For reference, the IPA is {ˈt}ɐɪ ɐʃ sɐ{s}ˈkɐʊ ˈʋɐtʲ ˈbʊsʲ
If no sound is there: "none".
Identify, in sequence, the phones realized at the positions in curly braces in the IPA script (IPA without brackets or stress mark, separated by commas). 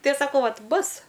t, none